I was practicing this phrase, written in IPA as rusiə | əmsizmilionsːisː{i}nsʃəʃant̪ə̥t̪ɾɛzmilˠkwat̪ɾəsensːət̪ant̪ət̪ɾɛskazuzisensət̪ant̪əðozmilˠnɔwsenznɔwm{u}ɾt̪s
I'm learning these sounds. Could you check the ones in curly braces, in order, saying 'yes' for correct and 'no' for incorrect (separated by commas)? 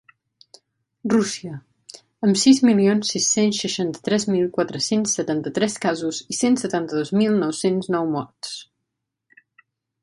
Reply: no, no